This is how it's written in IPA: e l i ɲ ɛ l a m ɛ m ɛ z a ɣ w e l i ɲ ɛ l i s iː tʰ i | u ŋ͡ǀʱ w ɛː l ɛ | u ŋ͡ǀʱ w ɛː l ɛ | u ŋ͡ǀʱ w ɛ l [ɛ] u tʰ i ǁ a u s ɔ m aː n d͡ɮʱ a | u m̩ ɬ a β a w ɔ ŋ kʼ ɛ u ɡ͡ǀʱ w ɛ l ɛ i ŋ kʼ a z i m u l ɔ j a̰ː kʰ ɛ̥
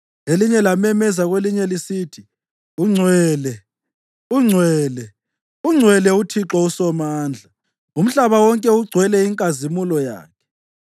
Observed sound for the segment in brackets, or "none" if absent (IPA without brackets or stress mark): ɛ